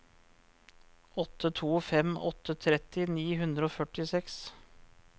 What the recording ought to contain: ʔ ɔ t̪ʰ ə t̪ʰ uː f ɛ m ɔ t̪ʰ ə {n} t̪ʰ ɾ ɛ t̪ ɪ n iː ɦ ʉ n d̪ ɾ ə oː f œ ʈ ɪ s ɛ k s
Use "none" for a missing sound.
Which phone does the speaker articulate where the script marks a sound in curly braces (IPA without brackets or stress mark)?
none